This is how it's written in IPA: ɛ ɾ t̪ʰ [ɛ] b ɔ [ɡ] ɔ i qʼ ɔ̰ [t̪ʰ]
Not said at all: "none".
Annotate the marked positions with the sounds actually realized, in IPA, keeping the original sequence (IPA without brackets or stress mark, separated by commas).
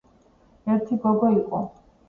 i, ɡ, none